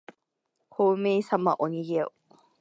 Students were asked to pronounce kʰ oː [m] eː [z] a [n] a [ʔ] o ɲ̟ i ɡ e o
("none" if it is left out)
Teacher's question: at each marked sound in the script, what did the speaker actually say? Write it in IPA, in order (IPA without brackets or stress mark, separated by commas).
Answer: m, s, m, ʔ